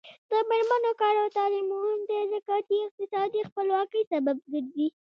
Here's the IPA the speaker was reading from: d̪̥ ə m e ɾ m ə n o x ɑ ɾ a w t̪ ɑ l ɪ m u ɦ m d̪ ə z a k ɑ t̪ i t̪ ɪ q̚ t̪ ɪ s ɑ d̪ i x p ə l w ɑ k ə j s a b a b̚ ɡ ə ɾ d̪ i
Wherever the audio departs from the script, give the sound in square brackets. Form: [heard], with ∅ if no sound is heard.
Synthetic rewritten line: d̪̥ ə m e ɾ m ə n o [k] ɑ ɾ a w t̪ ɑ l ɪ m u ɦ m d̪ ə z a k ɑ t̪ i [∅] ɪ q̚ t̪ ɪ s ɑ d̪ i x p ə l w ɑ k ə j s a b a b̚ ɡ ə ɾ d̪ i